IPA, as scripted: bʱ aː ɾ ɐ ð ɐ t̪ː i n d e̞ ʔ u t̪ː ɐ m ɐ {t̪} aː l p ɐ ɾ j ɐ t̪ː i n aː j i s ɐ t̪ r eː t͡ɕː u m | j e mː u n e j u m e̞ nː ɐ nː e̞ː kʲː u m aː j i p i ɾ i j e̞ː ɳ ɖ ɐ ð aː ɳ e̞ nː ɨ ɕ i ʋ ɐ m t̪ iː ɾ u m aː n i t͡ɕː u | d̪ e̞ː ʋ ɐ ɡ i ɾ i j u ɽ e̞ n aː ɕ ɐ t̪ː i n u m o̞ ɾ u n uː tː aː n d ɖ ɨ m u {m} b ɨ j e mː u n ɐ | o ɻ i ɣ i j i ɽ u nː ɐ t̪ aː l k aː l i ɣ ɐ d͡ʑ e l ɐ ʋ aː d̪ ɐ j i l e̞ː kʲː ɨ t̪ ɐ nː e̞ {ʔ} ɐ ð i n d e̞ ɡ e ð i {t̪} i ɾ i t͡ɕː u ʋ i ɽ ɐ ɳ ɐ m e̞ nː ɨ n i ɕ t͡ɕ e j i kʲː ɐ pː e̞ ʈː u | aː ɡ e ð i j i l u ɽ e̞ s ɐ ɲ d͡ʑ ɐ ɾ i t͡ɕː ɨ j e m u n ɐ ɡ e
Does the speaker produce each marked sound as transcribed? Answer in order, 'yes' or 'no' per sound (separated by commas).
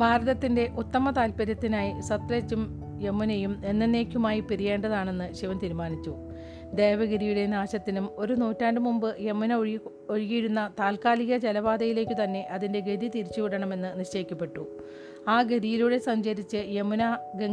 yes, yes, yes, yes